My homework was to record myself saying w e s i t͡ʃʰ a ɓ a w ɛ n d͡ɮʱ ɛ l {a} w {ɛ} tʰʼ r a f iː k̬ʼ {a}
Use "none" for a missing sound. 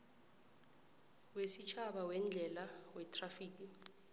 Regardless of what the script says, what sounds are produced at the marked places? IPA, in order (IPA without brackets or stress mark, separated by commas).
a, ɛ, i